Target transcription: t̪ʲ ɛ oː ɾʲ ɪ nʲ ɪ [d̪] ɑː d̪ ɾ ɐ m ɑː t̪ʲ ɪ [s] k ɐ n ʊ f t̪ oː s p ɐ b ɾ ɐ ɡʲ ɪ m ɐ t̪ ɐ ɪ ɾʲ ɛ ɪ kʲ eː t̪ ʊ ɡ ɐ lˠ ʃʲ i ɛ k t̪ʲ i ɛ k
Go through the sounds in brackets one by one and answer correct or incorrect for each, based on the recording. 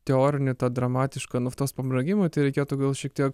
incorrect, incorrect

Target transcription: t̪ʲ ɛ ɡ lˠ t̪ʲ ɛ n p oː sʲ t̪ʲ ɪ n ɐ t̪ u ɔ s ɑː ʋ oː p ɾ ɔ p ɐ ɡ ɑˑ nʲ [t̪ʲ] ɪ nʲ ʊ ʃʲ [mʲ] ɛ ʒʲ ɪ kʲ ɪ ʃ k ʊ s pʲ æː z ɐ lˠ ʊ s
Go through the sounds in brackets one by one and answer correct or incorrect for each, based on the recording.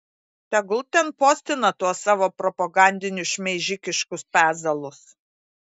incorrect, correct

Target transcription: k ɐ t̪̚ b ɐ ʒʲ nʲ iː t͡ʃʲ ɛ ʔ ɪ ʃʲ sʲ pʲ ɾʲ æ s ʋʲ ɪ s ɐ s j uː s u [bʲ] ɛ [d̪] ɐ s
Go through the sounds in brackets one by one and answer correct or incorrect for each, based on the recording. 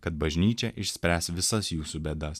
correct, correct

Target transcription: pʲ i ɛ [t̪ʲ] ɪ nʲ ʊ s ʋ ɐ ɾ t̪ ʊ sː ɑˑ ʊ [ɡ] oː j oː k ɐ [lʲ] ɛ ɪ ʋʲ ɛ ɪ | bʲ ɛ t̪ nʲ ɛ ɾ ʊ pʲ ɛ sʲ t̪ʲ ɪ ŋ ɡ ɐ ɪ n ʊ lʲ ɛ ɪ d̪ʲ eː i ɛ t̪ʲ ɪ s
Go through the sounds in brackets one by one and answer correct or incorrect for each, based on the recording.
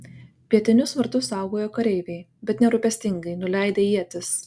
correct, correct, incorrect

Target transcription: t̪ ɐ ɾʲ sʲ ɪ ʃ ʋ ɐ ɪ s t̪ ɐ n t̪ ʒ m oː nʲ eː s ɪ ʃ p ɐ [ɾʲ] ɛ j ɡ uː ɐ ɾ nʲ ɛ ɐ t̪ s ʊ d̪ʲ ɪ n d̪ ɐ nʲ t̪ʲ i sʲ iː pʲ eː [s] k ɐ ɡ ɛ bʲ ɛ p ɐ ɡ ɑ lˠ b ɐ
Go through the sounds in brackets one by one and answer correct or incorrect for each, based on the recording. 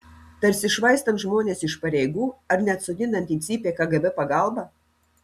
correct, incorrect

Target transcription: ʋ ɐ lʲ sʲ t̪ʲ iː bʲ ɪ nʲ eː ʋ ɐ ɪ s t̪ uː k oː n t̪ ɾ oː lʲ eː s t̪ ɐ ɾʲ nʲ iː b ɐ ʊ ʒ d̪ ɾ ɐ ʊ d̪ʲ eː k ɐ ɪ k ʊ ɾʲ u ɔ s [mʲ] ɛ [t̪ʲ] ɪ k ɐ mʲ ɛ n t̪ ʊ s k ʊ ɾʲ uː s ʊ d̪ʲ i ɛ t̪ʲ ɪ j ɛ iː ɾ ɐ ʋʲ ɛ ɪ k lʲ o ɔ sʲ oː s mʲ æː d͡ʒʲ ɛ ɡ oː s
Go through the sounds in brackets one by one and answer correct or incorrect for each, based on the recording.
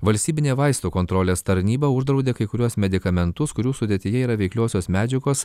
correct, incorrect

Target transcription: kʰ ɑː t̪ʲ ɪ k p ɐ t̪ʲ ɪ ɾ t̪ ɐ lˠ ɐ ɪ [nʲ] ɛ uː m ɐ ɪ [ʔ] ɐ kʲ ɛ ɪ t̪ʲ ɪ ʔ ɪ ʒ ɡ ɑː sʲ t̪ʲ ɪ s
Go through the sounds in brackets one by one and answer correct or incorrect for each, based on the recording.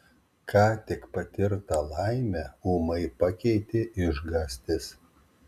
incorrect, incorrect

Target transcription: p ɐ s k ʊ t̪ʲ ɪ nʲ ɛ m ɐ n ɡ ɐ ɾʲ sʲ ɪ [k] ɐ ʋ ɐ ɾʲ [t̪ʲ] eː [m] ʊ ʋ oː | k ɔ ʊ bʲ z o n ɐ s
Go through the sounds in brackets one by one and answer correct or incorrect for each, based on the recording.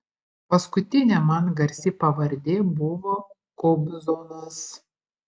incorrect, incorrect, incorrect

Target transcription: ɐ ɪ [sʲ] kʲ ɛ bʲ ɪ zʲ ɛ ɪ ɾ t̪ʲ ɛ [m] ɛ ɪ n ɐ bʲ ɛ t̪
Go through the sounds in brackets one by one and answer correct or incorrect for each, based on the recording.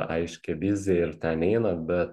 incorrect, incorrect

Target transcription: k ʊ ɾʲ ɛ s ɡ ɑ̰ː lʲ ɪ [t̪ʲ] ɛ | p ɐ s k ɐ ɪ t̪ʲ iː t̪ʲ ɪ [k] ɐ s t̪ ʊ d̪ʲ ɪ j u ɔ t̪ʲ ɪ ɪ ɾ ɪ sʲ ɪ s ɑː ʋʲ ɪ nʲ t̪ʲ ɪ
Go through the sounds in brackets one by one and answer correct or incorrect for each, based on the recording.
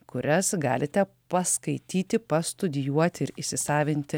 correct, incorrect

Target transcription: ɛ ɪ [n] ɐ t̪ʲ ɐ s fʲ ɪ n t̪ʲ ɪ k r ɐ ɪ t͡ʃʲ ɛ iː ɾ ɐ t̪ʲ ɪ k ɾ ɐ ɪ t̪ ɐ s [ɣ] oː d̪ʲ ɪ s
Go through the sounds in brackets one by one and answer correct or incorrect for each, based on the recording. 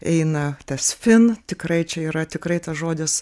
correct, incorrect

